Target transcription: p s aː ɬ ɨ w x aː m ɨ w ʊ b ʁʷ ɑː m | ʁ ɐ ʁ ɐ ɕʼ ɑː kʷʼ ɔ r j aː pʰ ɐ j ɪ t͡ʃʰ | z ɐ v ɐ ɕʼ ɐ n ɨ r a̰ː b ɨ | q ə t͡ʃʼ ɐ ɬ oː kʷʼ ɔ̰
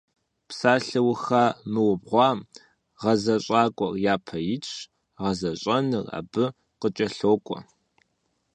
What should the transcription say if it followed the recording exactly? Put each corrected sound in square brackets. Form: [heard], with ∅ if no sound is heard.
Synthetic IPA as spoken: p s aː ɬ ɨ w x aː m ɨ w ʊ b ʁʷ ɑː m | ʁ ɐ [z] ɐ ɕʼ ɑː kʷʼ ɔ r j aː pʰ ɐ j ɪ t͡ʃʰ | [ʁ] ɐ [z] ɐ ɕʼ ɐ n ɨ r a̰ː b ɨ | q ə t͡ʃʼ ɐ ɬ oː kʷʼ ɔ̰